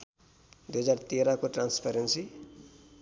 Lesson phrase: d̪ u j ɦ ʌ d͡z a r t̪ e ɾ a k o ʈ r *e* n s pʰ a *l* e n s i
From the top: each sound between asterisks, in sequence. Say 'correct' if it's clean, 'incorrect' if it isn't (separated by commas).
incorrect, incorrect